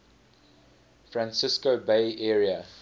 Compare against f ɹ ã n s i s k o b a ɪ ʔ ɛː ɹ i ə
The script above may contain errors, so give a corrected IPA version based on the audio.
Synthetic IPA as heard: f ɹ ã n s ɪ s k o b e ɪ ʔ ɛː ɹ i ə